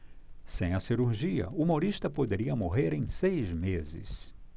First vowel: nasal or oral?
nasal